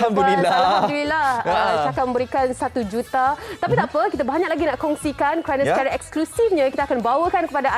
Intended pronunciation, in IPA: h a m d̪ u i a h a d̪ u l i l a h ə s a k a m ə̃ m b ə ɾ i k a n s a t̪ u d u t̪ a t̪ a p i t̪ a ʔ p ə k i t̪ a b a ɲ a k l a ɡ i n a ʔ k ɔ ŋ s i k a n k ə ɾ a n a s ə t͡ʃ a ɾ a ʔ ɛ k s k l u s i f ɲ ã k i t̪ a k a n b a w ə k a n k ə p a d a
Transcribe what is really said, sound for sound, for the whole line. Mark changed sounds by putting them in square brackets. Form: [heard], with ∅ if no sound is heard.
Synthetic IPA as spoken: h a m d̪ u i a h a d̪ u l i l a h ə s a k a m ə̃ m b ə ɾ i k a n s a t̪ u [d͡ʒ] u t̪ a t̪ a p i t̪ a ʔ p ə k i t̪ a b a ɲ a k l a ɡ i n a ʔ k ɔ ŋ s i k a n k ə ɾ a n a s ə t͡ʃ a ɾ a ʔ ɛ k s k l u s i f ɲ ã k i t̪ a k a n b a w ə k a n k ə p a d a